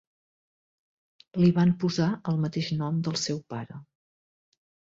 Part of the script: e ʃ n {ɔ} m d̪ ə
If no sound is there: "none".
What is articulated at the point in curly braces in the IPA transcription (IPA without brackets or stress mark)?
ɔ